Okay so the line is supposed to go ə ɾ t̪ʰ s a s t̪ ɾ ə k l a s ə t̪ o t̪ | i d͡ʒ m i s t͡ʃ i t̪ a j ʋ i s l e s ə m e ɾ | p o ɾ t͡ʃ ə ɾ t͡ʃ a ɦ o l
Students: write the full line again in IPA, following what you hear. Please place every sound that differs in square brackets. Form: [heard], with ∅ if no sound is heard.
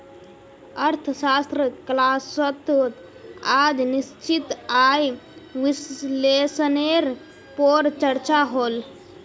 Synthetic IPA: ə ɾ t̪ʰ s a s t̪ ɾ ə k l a s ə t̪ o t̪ | [a] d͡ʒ [n] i s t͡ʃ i t̪ a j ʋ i s l e s ə [n] e ɾ | p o ɾ t͡ʃ ə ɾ t͡ʃ a ɦ o l